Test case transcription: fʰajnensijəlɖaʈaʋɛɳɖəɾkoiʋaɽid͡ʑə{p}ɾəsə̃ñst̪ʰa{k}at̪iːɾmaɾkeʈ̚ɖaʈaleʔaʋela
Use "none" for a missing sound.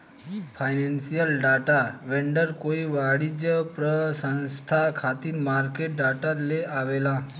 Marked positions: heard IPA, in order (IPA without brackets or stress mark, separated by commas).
p, kʰ